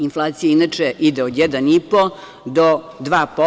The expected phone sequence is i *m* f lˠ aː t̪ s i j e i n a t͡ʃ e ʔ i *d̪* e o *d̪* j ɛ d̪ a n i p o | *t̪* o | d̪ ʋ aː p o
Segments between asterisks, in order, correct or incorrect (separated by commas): incorrect, correct, correct, incorrect